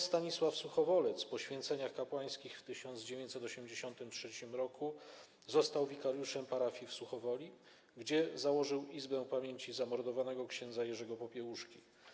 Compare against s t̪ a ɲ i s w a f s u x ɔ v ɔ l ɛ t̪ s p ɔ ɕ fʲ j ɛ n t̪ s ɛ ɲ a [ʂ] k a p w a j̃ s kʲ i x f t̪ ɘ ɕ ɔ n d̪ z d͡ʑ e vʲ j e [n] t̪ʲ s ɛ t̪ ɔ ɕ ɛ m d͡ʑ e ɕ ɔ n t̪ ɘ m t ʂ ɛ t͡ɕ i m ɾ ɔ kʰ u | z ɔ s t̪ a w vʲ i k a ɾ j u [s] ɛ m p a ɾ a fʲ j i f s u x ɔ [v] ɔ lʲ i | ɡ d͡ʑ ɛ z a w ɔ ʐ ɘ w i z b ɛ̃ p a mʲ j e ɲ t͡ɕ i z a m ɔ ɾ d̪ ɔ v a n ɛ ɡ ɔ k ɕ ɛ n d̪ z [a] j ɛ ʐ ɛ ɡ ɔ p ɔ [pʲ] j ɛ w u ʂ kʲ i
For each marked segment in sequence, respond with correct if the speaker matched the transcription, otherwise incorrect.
incorrect: x, incorrect: ɲ, incorrect: ʂ, correct, correct, correct

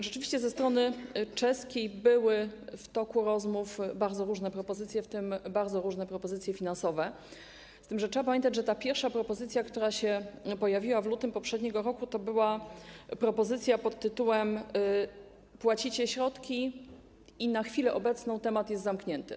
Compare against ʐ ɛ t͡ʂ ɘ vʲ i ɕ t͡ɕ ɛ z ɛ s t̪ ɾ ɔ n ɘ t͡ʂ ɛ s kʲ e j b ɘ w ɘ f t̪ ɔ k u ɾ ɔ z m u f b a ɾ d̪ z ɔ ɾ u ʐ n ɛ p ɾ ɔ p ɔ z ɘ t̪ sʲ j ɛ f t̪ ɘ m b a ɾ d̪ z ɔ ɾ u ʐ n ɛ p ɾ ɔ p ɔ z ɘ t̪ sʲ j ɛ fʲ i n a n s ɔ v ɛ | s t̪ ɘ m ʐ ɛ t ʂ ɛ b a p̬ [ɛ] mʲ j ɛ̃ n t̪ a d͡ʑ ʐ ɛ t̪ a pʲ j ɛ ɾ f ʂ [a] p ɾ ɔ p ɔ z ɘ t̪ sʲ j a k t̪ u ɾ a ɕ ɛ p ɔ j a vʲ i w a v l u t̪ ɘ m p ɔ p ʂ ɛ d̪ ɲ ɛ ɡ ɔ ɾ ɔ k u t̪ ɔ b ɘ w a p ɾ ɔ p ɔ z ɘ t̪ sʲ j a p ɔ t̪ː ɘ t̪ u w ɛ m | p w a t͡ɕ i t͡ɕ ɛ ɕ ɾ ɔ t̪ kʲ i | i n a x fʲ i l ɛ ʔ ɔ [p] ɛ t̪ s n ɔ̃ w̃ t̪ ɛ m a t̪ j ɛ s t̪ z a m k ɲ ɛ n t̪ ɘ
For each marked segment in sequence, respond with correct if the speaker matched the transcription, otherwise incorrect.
incorrect: a, correct, incorrect: b

